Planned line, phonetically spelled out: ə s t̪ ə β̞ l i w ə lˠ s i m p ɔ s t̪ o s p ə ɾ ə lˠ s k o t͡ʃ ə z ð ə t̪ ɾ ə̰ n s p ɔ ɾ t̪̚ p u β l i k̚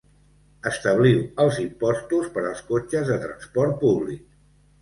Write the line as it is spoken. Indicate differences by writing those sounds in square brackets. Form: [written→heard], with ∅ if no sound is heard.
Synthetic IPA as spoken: ə s t̪ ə β̞ l i w ə lˠ [s→z] i m p ɔ s t̪ [o→u] s p ə ɾ ə lˠ s k o t͡ʃ ə z ð ə t̪ ɾ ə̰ n s p ɔ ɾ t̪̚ p u β l i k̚